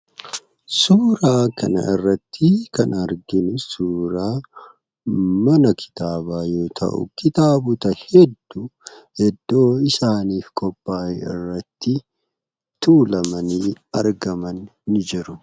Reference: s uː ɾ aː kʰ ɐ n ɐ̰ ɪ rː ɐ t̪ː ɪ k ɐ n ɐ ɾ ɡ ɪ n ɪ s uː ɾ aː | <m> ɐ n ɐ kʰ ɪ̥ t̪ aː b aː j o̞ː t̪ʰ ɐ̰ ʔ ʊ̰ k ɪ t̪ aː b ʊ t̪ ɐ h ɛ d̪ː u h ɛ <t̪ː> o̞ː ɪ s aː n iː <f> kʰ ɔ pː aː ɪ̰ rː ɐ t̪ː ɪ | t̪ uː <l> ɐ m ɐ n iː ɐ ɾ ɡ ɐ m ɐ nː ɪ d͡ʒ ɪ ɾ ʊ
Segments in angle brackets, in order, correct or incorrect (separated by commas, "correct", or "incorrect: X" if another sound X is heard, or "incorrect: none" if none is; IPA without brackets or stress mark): correct, incorrect: d̪ː, correct, correct